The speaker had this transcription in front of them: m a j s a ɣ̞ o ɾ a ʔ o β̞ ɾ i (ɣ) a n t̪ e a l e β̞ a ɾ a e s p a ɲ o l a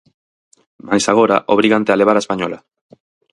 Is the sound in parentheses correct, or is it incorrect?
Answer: correct